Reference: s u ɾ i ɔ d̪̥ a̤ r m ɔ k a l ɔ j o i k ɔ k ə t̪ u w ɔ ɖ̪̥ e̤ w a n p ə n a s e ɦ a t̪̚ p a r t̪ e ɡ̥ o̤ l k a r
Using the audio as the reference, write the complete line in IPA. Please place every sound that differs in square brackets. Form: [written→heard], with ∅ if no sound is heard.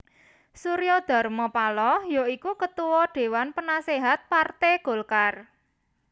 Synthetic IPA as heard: s u ɾ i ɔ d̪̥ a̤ r m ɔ [k→p] a l ɔ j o i k [ɔ→u] k ə t̪ u w ɔ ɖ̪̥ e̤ w a n p ə n a s e ɦ a t̪̚ p a r t̪ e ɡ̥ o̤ l k a r